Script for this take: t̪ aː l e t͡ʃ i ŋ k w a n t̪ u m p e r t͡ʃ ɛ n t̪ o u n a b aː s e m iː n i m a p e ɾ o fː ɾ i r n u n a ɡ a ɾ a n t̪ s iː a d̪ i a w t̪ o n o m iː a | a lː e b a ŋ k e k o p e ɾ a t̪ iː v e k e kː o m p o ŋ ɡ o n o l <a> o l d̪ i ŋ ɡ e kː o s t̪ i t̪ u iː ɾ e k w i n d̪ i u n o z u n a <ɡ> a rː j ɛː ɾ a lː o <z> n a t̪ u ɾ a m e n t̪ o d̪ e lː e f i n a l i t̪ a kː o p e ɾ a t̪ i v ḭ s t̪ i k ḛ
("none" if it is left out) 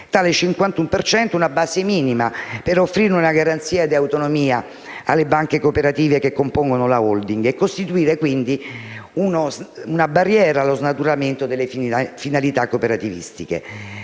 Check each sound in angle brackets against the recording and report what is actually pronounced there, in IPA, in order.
a, b, z

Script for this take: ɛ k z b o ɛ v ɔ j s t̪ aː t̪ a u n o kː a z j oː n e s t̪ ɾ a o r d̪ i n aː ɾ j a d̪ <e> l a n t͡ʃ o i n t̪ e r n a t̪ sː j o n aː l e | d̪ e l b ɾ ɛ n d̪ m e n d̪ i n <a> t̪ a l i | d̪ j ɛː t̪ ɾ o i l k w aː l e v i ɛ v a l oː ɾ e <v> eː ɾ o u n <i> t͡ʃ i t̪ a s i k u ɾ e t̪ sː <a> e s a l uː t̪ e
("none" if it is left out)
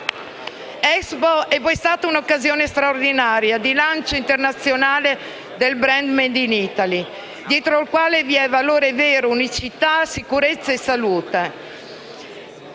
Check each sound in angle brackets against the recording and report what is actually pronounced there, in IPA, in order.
i, i, v, i, a

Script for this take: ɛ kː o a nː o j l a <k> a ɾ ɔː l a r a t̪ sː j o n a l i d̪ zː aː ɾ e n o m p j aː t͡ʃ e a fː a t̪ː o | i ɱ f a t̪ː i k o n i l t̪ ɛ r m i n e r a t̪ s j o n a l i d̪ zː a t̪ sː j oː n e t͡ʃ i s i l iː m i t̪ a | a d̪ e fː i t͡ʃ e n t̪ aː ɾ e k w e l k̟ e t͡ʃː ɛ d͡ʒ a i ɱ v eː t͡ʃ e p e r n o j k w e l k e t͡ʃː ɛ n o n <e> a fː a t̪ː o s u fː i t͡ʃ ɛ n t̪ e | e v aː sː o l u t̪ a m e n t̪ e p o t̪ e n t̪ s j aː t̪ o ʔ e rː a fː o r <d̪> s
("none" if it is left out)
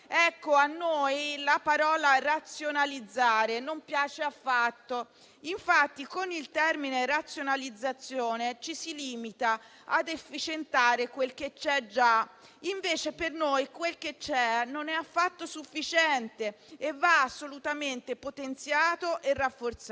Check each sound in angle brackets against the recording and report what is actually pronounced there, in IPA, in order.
p, ɛ, t̪

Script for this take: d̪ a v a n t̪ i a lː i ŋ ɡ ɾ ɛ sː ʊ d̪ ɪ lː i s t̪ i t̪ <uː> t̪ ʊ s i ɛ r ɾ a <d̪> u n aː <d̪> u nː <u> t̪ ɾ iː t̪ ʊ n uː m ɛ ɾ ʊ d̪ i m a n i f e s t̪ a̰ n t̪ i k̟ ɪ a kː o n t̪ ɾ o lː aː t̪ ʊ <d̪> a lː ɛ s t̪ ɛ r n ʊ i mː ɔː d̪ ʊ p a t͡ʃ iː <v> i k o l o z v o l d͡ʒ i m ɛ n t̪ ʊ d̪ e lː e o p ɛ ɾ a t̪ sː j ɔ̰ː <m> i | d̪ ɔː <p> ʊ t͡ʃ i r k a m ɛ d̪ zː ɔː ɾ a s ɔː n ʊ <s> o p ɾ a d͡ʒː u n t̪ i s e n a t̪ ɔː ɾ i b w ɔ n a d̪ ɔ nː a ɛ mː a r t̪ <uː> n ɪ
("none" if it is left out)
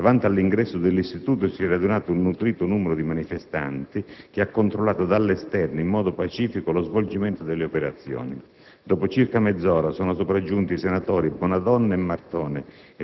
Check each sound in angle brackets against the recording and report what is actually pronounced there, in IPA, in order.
uː, d̪, t̪, u, d̪, f, n, p, s, ɔː

